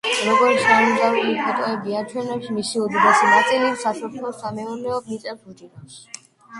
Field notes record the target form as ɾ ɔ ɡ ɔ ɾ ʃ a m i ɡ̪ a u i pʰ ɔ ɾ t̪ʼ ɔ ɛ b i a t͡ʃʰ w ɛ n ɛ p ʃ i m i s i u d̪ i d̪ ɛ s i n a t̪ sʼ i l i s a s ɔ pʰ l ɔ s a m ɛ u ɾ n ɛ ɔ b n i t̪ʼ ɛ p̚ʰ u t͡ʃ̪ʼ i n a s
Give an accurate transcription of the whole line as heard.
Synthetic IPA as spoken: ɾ ɔ ɡ ɔ ɾ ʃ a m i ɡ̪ a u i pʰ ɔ t̪ʼ ɔ ɛ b i a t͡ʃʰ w ɛ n ɛ p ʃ i m i s i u d̪ i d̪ ɛ s i n a t̪ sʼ i l i s a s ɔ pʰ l ɔ s a m ɛ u ɾ n ɛ ɔ b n i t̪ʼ ɛ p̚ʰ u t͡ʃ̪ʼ i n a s